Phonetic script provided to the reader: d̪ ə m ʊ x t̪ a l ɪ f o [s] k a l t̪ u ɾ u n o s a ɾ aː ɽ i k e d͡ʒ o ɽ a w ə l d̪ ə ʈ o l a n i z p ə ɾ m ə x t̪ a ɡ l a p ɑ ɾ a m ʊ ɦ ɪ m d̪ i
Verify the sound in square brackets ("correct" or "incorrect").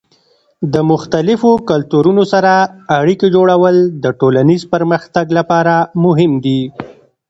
incorrect